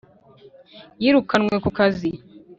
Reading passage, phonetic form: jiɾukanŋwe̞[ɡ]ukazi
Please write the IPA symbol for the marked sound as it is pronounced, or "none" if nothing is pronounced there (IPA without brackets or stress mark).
k